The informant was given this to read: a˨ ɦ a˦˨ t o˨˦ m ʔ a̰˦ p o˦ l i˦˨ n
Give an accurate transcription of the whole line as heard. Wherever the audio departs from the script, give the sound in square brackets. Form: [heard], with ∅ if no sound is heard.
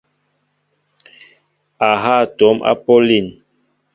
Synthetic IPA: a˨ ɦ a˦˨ t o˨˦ m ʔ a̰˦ p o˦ l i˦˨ n